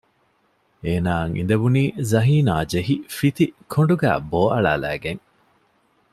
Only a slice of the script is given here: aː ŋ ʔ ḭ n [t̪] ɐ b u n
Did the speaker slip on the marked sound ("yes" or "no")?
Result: yes